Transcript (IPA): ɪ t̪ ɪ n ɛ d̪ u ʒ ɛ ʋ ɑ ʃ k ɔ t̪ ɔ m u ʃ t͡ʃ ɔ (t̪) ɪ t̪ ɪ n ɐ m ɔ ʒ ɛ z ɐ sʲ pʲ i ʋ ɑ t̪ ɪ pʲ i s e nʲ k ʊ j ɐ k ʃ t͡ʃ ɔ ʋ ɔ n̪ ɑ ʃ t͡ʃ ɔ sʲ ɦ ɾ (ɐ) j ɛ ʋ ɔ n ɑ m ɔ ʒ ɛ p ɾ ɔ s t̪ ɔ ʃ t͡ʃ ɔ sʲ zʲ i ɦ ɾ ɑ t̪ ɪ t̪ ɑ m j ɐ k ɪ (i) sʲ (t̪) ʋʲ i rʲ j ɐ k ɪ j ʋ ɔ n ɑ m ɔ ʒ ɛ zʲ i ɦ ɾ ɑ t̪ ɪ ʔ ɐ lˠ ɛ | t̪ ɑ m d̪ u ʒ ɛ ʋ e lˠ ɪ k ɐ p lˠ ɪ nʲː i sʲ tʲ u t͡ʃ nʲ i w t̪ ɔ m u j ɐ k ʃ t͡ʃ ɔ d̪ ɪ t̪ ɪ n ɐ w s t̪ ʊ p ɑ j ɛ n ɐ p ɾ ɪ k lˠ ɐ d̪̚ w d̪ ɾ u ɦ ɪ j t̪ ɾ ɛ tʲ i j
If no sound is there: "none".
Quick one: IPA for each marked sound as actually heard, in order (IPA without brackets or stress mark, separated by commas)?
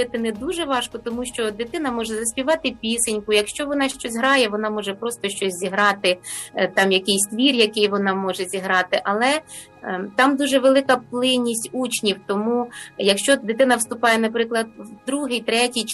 d̪, ɑ, j, t̪